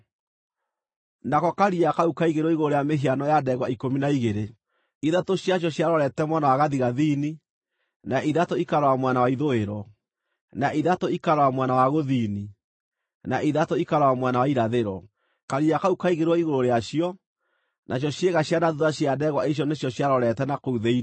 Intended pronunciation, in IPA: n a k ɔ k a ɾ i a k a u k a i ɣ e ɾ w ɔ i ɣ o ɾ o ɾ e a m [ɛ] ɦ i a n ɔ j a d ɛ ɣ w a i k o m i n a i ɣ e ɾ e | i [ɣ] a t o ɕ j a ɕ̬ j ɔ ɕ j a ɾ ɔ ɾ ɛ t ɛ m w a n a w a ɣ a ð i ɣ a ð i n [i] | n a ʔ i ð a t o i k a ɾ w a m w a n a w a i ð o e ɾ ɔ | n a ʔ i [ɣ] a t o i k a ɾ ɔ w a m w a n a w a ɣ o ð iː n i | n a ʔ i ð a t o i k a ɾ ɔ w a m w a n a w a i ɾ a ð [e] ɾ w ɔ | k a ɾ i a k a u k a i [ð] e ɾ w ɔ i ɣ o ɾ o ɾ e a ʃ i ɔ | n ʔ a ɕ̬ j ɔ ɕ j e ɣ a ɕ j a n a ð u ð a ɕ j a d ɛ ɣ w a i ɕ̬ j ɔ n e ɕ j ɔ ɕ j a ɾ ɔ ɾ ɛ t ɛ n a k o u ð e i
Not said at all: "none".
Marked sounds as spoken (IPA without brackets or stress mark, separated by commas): e, ð, i, ð, e, ɣ